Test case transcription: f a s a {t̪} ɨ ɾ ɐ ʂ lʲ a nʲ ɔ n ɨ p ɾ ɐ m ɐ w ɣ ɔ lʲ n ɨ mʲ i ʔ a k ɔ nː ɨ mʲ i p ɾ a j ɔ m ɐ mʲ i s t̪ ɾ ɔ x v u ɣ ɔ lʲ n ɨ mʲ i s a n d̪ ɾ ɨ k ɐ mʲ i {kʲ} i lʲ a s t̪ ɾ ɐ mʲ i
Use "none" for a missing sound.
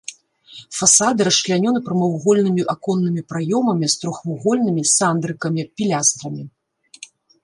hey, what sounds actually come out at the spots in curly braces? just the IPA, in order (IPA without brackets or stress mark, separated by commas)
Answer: d̪, pʲ